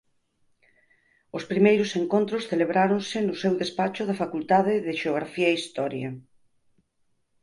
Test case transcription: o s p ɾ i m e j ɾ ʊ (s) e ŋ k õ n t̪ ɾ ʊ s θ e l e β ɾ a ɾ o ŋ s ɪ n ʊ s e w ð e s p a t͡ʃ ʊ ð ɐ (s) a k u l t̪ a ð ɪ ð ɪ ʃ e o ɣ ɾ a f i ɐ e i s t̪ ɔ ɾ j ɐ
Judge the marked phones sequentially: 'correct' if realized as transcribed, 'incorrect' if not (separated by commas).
correct, incorrect